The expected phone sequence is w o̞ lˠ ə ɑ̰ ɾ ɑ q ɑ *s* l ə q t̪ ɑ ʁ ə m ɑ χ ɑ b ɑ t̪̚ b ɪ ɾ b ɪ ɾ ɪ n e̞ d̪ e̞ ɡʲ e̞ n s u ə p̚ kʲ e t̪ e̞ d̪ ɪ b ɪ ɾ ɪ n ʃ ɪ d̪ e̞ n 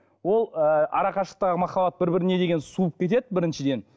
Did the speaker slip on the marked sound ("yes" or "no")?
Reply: yes